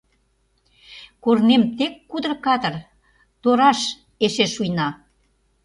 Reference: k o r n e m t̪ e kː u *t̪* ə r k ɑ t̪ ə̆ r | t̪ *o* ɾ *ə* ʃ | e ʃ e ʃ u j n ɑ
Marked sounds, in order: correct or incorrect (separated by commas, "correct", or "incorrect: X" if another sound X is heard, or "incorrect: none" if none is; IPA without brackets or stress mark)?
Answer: incorrect: d̪, correct, incorrect: ɑ